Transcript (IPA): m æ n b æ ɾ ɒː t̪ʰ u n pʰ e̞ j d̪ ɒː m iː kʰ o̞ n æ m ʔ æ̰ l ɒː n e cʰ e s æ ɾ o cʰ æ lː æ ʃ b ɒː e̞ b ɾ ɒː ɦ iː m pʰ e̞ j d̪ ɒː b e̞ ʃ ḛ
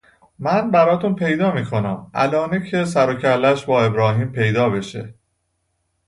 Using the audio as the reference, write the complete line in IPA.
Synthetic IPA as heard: m æ n b æ ɾ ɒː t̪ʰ u n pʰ e̞ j d̪ ɒː m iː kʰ o̞ n æ m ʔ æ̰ l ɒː n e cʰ e s æ ɾ o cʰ æ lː æ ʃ b ɒː e̞ b ɾ ɒː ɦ iː m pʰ e̞ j d̪ ɒː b e̞ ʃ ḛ